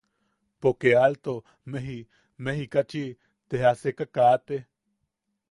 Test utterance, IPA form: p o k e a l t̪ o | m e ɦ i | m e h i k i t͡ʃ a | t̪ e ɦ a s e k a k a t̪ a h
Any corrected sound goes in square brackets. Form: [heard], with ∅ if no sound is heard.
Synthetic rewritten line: p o k e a l t̪ o | m e ɦ i | m e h i k [a] t͡ʃ [i] | t̪ e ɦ a s e k a k a t̪ [e] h